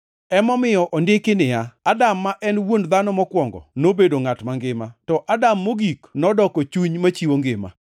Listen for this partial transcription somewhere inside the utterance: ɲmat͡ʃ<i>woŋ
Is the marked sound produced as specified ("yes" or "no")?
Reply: yes